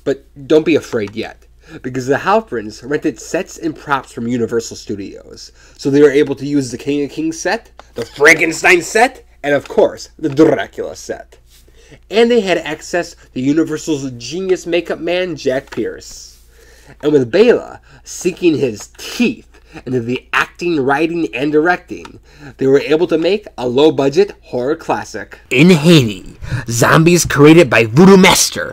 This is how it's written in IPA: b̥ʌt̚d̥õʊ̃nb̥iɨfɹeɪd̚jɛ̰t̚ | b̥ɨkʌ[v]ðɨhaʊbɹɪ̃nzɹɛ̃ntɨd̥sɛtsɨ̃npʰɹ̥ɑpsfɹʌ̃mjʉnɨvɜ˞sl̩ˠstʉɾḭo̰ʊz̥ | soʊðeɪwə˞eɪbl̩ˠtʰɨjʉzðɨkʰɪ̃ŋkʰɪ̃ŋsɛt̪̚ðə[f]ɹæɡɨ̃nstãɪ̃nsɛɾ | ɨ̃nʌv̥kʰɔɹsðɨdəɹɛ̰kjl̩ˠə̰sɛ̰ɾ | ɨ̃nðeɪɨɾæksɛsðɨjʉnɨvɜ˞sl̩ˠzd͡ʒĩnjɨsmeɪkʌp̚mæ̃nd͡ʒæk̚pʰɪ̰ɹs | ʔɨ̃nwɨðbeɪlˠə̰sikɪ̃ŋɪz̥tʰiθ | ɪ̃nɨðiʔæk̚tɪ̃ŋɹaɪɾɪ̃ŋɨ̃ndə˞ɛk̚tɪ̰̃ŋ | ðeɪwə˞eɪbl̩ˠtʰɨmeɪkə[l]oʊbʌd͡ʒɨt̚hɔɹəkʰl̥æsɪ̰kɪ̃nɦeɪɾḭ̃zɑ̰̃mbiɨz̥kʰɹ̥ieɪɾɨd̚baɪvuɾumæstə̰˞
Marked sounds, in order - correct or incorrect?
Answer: incorrect: z, correct, correct

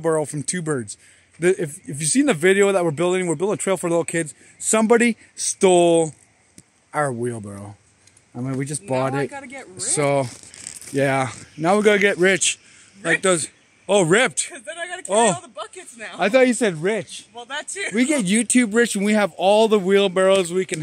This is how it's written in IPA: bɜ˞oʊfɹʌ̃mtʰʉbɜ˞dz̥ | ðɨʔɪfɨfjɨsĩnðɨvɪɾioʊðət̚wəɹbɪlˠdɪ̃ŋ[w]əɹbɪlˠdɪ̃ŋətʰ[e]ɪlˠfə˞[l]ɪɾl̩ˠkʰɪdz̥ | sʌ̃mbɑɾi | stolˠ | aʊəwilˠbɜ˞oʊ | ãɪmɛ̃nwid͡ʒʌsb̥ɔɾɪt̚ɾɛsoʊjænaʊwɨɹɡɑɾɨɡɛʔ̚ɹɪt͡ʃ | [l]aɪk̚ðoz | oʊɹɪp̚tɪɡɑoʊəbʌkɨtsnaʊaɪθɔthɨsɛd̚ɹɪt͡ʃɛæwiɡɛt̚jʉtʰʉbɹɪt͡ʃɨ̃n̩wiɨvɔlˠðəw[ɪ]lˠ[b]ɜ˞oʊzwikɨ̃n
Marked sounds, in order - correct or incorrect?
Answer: correct, correct, correct, correct, incorrect: i, correct

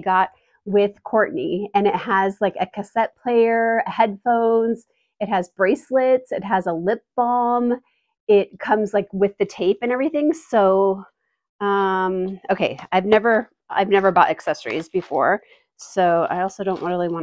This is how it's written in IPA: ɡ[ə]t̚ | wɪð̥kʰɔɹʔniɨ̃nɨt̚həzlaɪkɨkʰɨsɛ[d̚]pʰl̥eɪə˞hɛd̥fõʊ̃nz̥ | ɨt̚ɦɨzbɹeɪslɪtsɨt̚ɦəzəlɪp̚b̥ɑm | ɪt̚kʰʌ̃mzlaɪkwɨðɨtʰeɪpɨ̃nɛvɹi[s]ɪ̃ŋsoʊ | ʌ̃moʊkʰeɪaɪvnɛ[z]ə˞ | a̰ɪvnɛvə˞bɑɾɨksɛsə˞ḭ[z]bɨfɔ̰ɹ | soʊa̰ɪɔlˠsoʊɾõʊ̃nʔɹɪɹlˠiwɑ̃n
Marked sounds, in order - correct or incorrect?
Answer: incorrect: ɑ, incorrect: t̚, incorrect: θ, incorrect: v, correct

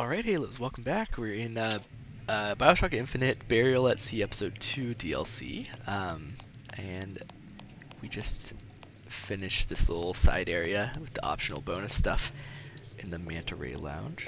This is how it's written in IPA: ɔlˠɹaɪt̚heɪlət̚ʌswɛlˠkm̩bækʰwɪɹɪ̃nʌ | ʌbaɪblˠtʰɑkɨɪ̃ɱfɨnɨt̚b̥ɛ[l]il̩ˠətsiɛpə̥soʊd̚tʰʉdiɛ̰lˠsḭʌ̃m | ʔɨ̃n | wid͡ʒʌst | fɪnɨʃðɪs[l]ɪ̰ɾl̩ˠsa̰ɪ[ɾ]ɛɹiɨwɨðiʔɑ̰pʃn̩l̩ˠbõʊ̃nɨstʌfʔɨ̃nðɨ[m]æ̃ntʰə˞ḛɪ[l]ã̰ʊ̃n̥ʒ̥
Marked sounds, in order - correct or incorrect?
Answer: incorrect: ɹ, correct, correct, correct, correct

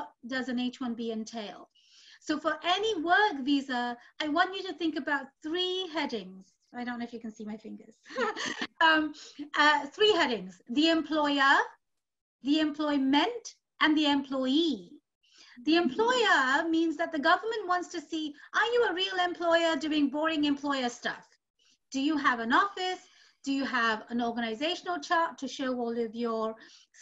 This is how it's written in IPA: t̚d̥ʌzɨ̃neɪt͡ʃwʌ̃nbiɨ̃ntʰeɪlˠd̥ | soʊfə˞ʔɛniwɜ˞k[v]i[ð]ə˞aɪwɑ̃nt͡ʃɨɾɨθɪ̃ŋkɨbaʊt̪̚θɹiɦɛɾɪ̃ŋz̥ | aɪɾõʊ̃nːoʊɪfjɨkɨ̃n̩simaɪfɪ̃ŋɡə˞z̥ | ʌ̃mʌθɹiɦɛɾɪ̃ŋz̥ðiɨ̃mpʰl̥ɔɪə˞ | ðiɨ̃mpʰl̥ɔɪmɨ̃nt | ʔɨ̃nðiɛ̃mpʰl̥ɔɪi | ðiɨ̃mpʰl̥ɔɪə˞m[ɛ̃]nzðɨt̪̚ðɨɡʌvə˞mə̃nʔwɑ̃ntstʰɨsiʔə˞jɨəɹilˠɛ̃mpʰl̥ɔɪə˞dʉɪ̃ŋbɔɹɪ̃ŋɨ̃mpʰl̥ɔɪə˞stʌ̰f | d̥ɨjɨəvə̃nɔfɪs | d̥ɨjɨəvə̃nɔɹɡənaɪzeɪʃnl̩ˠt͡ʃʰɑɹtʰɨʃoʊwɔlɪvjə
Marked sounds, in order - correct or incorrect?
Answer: correct, incorrect: z, incorrect: ĩ

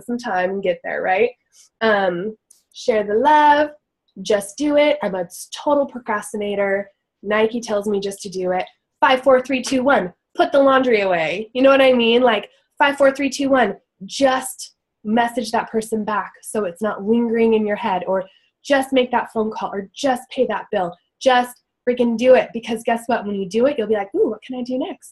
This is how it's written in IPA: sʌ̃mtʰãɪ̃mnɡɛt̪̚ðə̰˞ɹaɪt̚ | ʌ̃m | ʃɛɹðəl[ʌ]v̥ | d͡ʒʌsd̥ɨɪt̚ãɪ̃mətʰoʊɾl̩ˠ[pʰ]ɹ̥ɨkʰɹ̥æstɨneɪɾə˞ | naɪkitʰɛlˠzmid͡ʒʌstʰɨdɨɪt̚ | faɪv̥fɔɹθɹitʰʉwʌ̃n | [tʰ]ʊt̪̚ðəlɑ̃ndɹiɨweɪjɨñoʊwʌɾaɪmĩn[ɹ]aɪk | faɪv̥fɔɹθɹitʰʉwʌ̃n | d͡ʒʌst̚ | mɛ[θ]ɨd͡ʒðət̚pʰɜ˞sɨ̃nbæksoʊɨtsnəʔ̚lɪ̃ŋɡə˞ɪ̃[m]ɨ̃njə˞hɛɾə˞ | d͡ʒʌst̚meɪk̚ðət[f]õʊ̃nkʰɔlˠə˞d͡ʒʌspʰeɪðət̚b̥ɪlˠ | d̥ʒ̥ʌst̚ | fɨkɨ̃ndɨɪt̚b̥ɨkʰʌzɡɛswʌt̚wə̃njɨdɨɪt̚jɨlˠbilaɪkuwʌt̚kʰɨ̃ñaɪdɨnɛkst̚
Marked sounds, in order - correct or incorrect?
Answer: correct, correct, incorrect: pʰ, incorrect: l, incorrect: s, incorrect: ŋ, correct

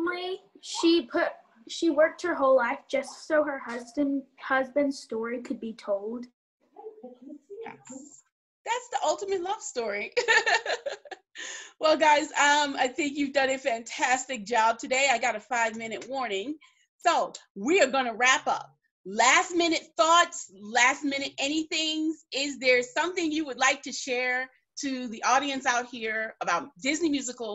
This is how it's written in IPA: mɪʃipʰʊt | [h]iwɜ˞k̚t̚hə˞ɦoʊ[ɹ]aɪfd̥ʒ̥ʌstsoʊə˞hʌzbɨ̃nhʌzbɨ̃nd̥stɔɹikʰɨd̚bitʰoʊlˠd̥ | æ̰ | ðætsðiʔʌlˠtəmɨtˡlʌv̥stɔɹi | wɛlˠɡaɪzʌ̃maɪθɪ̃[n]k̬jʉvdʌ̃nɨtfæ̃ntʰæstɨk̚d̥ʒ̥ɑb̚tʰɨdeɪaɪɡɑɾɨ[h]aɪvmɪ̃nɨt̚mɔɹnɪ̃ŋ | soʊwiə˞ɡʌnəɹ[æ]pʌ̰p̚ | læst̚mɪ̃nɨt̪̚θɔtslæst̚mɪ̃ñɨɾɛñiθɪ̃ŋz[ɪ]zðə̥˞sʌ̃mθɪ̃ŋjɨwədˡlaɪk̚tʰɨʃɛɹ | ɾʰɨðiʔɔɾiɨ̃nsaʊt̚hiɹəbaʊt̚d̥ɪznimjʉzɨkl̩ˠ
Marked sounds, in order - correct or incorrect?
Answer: incorrect: ʃ, incorrect: l, incorrect: ŋ, incorrect: f, correct, correct

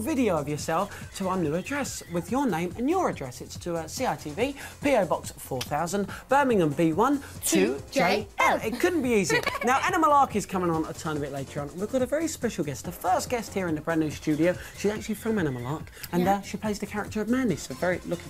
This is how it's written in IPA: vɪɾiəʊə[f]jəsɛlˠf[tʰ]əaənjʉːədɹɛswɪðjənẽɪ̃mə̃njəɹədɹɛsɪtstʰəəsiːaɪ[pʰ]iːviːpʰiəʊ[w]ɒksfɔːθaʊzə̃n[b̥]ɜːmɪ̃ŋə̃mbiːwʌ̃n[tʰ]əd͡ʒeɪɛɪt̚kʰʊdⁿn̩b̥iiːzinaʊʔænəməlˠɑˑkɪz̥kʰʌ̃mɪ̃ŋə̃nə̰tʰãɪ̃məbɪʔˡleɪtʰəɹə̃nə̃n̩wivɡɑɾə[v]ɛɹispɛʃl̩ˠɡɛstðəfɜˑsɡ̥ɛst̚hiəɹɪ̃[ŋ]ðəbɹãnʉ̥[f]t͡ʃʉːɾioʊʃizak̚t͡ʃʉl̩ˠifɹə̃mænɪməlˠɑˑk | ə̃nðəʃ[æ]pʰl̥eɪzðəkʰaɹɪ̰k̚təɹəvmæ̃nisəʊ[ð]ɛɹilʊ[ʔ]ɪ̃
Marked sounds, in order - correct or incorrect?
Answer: incorrect: v, correct, incorrect: tʰ, incorrect: b, correct, correct, correct, incorrect: n, incorrect: s, incorrect: i, incorrect: v, incorrect: k

